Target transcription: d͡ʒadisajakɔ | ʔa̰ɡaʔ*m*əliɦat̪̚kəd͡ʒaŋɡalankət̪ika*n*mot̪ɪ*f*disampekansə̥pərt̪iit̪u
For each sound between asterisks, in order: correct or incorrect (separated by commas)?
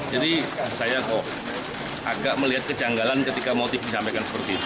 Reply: correct, incorrect, correct